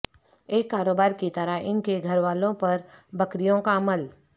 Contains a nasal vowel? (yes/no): yes